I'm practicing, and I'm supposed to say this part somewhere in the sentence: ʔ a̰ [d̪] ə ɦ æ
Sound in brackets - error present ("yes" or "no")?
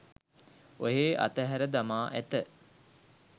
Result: yes